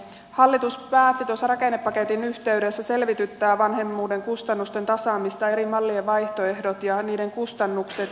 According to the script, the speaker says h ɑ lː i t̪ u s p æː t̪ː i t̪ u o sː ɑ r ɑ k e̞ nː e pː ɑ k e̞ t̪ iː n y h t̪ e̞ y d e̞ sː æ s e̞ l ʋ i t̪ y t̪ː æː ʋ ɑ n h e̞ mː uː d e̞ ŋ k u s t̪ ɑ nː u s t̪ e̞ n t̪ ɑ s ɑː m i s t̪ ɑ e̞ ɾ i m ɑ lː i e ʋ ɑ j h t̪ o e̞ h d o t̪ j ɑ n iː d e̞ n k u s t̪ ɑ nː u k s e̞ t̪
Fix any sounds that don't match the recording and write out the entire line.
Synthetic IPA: h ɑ lː i t̪ u s p æː t̪ː i t̪ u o sː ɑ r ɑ k e̞ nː e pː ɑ k e̞ t̪ i n y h t̪ e̞ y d e̞ sː æ s e̞ l ʋ i t̪ y t̪ː æː ʋ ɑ n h e̞ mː uː d e̞ ŋ k u s t̪ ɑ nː u s t̪ e̞ n t̪ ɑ s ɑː m i s t̪ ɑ e̞ ɾ i m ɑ lː i e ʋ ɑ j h t̪ o e̞ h d o t̪ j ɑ n iː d e̞ ŋ k u s t̪ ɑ nː u k s e̞ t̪

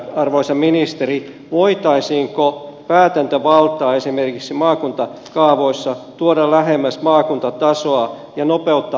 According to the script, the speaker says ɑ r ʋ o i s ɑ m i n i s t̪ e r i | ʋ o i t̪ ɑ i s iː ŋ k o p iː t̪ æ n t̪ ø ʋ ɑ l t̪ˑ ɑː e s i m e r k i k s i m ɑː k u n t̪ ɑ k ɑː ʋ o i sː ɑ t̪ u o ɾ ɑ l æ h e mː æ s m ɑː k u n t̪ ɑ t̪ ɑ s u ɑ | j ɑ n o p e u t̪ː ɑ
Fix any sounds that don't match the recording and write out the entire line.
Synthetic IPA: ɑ r ʋ o i s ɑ m i n i s t̪ e r i | ʋ o i t̪ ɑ i s iː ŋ k o p æː t̪ æ n t̪ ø ʋ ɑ l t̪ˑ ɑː e s i m e r k i k s i m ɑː k u n t̪ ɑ k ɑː ʋ o i sː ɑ t̪ u o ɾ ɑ l æ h e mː æ s m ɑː k u n t̪ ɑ t̪ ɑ s o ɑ | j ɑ n o p e u t̪ː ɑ

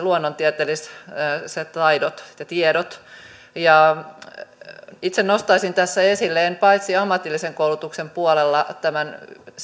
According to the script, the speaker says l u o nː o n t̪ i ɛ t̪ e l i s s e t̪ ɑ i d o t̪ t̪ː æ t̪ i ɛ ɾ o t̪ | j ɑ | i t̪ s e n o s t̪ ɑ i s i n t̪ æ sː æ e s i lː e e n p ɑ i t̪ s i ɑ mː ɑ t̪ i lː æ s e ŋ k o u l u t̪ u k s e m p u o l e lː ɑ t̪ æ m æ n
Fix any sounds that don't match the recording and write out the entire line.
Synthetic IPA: l u o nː o n t̪ i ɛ t̪ e l i s s e t̪ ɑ i d o t̪ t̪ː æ t̪ i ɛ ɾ o t̪ | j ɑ | i t̪ s e n o s t̪ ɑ i s i n t̪ æ sː æ e s i lː e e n p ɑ i t̪ s i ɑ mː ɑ t̪ i lː i s e ŋ k o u l u t̪ u k s e m p u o l e lː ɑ t̪ æ m æ n

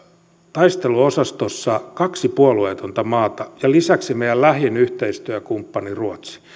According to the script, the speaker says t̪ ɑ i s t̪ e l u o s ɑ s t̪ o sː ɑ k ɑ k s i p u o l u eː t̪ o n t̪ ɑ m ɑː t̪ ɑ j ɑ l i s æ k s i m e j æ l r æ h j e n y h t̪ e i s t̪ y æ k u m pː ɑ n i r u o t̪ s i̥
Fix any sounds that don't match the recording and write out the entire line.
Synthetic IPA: t̪ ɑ i s t̪ e l u o s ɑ s t̪ o sː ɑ k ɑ k s i p u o l u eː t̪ o n t̪ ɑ m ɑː t̪ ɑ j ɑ l i s æ k s i m e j æ l l æ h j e n y h t̪ e i s t̪ y æ k u m pː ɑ n i r u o t̪ s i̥

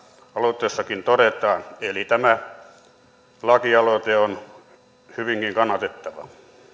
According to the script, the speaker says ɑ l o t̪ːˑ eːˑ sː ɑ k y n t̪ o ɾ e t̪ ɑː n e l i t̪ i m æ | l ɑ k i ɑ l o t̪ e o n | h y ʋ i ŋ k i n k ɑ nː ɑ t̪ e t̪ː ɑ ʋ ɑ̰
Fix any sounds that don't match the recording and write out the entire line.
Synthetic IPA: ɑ l o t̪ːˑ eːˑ sː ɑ k i n t̪ o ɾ e t̪ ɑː n e l i t̪ æ m æ | l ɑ k i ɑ l o t̪ e o n | h y ʋ i ŋ k i ŋ k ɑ nː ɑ t̪ e t̪ː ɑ ʋ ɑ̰

